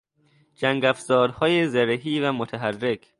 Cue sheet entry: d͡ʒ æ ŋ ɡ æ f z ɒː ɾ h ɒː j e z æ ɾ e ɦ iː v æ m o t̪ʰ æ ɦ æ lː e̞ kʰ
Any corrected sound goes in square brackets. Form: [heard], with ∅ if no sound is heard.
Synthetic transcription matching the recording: d͡ʒ æ ŋ ɡ æ f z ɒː ɾ h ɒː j e z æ ɾ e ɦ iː v æ m o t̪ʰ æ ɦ æ [rː] e̞ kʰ